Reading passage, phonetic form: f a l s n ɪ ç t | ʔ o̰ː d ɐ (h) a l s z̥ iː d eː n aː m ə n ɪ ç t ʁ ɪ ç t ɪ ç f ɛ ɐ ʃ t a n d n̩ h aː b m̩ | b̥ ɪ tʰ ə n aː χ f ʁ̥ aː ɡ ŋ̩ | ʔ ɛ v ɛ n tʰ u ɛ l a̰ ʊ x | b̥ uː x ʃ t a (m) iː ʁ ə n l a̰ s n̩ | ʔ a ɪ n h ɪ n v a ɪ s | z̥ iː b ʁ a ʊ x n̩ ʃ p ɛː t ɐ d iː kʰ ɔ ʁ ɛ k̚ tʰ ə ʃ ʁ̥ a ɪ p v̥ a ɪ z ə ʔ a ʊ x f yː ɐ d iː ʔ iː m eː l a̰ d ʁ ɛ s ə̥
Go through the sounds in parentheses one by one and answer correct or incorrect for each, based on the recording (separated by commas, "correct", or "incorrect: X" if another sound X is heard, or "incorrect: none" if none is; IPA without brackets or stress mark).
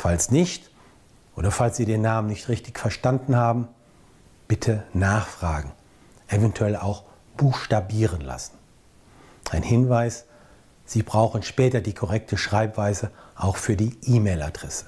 incorrect: f, incorrect: b